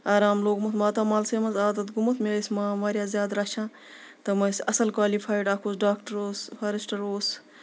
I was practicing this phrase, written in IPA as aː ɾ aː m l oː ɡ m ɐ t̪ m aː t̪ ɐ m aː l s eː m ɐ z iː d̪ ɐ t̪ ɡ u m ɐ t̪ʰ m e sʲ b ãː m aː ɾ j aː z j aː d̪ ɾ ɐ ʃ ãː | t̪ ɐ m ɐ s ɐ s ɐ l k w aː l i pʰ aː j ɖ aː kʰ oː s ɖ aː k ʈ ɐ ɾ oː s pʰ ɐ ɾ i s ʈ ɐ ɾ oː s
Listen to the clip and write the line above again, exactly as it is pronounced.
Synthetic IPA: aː ɾ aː m l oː ɡ m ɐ t̪ m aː t̪ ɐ m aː l s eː m ɐ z aː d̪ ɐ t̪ ɡ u m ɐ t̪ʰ m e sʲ m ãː m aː ɾ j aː z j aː d̪ ɾ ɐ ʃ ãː | t̪ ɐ m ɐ s ɐ s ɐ l k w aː l i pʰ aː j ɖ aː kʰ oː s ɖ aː k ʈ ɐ ɾ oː s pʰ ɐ ɾ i s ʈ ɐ ɾ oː s